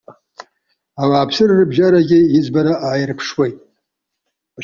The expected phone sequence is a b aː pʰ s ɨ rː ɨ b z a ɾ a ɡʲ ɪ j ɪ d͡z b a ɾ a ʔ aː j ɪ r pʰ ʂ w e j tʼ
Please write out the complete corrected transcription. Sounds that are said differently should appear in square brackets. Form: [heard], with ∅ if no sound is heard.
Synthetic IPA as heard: a [w] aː pʰ s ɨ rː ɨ b [ʒ] a ɾ a ɡʲ ɪ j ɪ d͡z b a ɾ a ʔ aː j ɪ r pʰ ʂ w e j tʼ